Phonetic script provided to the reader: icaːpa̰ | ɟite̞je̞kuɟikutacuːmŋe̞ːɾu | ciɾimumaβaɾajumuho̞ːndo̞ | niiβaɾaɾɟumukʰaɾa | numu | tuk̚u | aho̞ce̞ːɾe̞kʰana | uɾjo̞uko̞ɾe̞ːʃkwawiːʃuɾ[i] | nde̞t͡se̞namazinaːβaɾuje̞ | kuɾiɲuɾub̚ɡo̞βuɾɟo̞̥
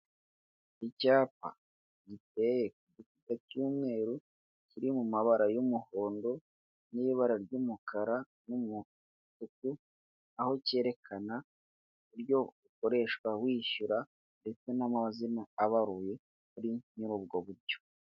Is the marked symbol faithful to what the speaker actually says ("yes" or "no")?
no